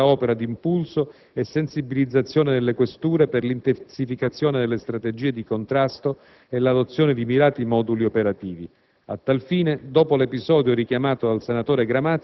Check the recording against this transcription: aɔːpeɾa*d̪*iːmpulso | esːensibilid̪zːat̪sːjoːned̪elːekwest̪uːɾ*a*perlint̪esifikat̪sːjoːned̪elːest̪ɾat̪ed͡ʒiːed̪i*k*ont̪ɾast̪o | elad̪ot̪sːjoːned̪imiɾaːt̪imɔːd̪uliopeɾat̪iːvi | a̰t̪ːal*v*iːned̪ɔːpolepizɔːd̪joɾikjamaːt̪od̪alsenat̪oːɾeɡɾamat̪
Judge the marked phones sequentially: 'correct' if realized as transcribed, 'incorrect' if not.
correct, incorrect, correct, incorrect

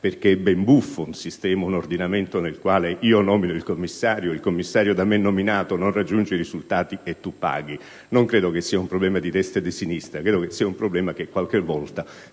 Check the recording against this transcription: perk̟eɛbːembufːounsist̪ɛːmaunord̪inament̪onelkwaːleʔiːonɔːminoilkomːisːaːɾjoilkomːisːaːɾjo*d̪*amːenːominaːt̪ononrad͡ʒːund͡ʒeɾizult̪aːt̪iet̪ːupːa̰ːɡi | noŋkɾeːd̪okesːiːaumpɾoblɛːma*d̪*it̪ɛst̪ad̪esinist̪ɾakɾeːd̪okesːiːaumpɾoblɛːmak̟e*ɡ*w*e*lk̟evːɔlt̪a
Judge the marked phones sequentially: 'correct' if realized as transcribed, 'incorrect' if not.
correct, correct, incorrect, incorrect

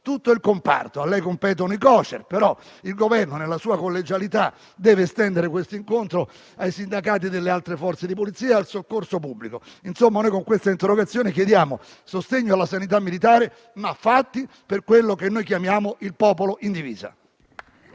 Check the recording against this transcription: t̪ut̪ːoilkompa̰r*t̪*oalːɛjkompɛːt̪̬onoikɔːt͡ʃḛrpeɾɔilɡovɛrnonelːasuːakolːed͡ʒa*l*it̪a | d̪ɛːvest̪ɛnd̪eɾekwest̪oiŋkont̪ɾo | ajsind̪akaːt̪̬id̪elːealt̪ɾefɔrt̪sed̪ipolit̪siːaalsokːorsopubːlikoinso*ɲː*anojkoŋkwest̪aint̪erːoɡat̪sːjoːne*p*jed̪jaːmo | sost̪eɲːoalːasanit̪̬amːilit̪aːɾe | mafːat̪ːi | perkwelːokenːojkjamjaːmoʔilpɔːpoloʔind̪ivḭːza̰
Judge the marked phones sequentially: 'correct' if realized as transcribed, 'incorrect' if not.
correct, correct, incorrect, incorrect

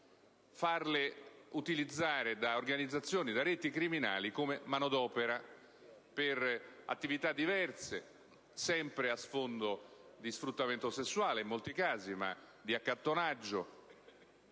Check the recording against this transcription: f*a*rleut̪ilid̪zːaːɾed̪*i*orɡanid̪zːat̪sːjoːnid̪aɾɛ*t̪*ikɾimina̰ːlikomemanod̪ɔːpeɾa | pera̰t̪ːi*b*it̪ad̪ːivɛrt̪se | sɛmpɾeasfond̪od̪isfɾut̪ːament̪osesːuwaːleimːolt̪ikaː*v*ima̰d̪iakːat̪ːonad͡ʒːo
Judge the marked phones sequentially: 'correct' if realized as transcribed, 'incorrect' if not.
correct, incorrect, correct, incorrect, incorrect

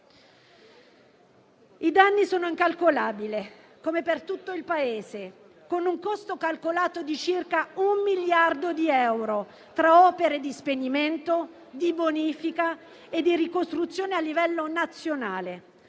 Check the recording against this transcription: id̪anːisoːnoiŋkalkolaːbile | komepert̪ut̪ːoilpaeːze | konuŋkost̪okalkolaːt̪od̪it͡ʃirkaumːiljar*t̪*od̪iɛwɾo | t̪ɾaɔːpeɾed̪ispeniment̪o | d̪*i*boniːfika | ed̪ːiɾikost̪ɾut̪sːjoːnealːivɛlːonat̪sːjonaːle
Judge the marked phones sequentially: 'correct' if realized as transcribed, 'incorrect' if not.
incorrect, correct

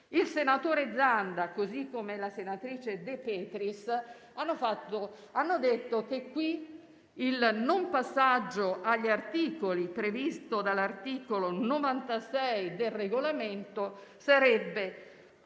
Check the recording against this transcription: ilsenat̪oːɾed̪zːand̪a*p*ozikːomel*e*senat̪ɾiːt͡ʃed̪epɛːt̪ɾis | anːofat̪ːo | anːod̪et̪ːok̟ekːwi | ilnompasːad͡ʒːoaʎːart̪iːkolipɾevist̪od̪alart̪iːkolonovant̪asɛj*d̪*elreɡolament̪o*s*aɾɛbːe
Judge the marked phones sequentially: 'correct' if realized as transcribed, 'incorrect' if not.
incorrect, incorrect, correct, correct

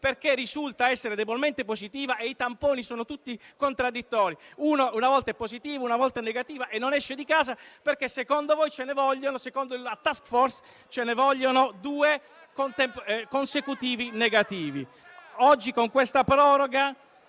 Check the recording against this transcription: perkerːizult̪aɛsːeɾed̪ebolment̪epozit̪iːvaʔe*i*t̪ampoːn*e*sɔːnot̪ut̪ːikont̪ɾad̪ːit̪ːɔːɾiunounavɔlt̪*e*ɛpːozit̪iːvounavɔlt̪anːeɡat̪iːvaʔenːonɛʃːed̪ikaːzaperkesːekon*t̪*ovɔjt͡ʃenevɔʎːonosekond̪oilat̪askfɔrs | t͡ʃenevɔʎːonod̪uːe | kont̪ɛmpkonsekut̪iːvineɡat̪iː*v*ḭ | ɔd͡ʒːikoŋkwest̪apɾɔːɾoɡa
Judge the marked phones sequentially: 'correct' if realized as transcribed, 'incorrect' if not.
correct, incorrect, incorrect, incorrect, correct

